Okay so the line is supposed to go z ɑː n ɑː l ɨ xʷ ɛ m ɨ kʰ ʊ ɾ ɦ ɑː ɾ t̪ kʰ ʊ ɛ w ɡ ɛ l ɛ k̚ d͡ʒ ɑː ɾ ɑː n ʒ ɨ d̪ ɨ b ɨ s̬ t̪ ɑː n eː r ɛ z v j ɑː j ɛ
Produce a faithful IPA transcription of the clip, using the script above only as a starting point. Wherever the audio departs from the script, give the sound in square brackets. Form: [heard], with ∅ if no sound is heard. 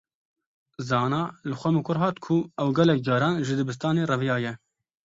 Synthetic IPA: z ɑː n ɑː l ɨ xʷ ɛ m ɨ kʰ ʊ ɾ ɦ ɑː [∅] t̪ kʰ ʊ ɛ w ɡ ɛ l ɛ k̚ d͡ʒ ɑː ɾ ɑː n ʒ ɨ d̪ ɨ b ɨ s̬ t̪ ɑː n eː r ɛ [∅] v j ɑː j ɛ